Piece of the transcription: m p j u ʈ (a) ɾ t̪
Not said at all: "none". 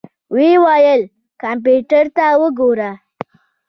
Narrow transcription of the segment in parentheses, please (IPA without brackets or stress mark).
ə